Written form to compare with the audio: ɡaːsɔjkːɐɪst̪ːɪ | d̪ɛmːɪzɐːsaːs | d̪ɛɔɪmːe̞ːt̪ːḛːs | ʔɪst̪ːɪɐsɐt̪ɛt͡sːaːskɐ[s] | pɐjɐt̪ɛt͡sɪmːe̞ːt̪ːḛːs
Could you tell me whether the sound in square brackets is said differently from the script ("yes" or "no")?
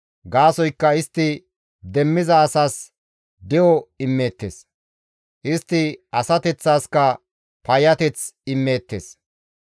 yes